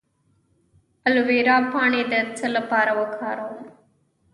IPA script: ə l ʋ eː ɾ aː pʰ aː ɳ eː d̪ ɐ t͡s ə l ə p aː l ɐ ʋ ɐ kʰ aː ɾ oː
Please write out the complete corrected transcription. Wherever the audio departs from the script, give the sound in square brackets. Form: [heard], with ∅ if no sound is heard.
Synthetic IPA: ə l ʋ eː ɾ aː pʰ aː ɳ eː d̪ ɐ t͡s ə l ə p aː [ɾ] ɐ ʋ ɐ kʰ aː ɾ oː